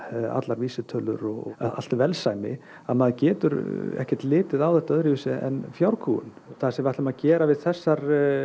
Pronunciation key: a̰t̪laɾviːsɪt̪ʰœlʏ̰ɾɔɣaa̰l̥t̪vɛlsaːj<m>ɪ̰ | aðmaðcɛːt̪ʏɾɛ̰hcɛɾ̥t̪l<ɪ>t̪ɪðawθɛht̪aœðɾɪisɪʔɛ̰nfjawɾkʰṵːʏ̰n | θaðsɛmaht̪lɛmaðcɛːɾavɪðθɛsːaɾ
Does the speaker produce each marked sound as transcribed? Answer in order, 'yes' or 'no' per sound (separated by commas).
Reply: yes, no